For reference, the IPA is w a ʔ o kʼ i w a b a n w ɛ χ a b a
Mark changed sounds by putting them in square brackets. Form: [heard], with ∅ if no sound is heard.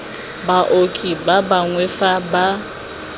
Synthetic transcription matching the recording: [b] a ʔ o kʼ i [b] a b a [ŋ] w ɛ [f] a b a